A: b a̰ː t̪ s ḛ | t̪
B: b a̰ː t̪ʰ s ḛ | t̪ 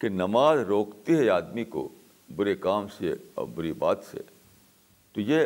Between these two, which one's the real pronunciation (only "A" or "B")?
A